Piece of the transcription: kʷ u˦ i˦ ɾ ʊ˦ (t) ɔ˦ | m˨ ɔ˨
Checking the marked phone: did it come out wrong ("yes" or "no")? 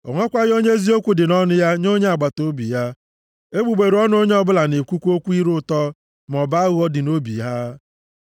no